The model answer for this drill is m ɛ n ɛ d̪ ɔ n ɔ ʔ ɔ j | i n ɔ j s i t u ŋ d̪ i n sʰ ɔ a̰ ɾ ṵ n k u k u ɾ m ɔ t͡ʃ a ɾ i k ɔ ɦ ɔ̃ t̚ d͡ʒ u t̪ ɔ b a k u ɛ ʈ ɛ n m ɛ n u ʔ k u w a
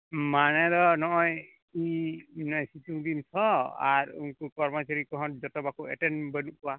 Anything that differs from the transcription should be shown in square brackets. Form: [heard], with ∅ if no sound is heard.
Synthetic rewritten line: m [a] n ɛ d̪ ɔ n ɔ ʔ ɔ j | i n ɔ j s i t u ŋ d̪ i n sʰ ɔ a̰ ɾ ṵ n k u k [ɔ] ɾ m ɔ t͡ʃ a ɾ i k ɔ ɦ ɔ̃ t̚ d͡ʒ [ɔ] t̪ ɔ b a k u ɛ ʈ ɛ n [b] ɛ n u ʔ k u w a